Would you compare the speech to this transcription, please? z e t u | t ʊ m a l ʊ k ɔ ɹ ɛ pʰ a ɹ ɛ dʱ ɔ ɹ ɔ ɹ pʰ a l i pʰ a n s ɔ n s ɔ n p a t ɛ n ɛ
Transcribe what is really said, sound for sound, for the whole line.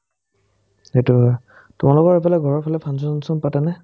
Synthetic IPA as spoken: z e t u | t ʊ m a l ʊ k ɔ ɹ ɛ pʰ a l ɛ ɡʱ ɔ ɹ ɔ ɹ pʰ a l ɛ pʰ a n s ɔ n s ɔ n p a t ɛ n ɛ